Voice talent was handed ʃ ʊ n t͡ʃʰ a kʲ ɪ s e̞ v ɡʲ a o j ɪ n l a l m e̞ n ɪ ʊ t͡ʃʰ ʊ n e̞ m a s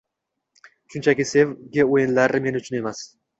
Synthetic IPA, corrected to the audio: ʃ ʊ n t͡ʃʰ a kʲ ɪ s e̞ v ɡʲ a o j ɪ n l a ɾ m e̞ n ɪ ʊ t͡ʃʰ ʊ n e̞ m a s